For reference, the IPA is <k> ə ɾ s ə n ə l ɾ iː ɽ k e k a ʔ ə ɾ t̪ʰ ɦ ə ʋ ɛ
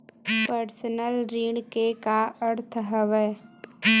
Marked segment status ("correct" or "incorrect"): incorrect